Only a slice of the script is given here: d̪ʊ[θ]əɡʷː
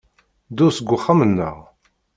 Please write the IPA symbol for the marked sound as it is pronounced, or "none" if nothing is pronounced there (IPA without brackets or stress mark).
s